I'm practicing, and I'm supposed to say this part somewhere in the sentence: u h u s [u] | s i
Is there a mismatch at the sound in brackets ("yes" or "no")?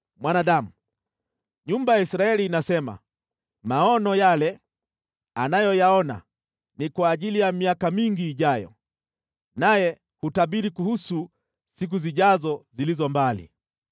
no